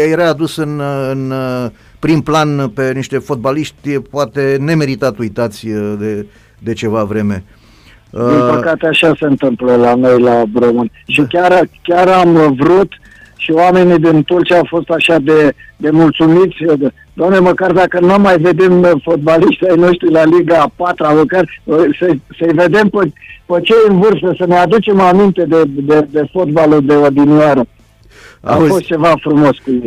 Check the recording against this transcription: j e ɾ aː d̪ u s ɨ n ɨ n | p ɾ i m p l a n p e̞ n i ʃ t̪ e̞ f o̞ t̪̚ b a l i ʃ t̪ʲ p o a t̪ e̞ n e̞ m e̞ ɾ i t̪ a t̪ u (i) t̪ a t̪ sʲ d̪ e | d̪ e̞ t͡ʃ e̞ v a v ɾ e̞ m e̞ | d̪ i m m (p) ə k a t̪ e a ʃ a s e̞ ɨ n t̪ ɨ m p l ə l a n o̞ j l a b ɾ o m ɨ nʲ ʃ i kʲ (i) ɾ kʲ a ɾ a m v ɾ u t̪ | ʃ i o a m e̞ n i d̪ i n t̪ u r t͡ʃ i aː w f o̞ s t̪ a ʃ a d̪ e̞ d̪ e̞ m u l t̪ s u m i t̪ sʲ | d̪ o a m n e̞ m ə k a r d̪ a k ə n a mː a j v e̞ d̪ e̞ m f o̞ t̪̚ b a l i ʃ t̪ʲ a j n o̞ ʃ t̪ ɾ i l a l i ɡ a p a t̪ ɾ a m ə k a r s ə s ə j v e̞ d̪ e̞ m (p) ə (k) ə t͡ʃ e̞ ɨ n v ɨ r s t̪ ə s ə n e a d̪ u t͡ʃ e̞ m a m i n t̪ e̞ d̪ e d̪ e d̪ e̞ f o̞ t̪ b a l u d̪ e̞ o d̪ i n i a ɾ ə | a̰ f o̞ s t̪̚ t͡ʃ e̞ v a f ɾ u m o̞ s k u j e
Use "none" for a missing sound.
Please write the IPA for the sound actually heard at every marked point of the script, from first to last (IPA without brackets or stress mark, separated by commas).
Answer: j, p, a, p, p